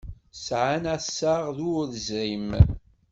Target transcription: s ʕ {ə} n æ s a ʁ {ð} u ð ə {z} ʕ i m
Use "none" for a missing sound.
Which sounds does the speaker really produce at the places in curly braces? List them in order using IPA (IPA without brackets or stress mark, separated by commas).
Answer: a, ð, z